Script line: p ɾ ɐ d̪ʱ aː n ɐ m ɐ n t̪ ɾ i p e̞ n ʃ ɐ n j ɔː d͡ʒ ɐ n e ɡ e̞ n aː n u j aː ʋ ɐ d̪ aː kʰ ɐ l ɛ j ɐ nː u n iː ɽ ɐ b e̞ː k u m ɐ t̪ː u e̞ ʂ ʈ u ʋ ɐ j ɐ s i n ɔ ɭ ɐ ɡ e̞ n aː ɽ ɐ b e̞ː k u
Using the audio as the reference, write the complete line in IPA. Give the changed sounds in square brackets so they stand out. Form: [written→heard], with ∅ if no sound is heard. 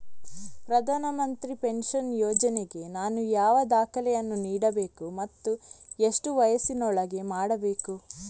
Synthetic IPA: p ɾ ɐ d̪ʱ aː n ɐ m ɐ n t̪ ɾ i p e̞ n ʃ ɐ n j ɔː d͡ʒ ɐ n e ɡ e̞ n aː n u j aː ʋ ɐ d̪ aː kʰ ɐ l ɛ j ɐ nː u n iː ɽ ɐ b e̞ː k u m ɐ t̪ː u e̞ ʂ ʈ u ʋ ɐ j ɐ s i n ɔ ɭ ɐ ɡ e̞ [n→m] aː ɽ ɐ b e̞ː k u